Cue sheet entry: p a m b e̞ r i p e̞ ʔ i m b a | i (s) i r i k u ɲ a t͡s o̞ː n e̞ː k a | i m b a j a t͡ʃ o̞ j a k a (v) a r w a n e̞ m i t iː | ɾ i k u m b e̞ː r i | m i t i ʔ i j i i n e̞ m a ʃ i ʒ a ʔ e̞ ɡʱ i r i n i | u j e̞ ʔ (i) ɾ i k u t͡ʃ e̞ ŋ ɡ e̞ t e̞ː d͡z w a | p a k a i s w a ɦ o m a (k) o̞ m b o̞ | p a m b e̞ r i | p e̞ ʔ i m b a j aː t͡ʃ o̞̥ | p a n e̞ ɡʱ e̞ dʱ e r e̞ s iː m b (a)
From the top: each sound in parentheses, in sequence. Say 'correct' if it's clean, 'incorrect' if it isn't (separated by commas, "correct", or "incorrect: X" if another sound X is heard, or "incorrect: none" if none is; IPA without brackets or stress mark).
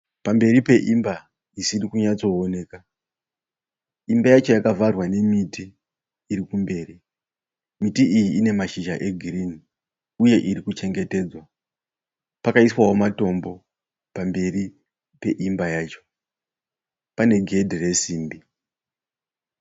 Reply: correct, correct, correct, incorrect: t, incorrect: i